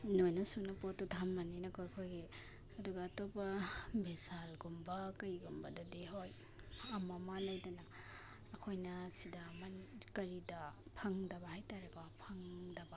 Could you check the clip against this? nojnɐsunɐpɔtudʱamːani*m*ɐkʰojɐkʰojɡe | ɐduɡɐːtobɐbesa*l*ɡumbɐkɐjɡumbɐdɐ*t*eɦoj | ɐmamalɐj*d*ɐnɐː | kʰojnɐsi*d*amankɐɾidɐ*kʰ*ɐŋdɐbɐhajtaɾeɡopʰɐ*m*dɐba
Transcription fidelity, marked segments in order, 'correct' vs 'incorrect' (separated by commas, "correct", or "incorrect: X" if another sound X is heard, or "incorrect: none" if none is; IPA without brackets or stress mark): incorrect: n, correct, incorrect: d, correct, correct, incorrect: pʰ, incorrect: ŋ